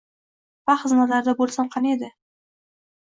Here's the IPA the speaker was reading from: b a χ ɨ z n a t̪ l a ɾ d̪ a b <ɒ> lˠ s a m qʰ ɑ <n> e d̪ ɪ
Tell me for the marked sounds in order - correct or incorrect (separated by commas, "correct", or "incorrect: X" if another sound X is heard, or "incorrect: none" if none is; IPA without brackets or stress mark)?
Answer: incorrect: o, correct